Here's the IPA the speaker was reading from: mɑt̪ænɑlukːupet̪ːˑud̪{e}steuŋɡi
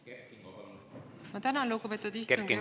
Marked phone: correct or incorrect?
incorrect